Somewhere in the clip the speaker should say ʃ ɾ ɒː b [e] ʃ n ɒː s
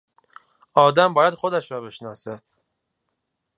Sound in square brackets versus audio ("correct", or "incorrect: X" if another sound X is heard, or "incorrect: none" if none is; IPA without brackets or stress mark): correct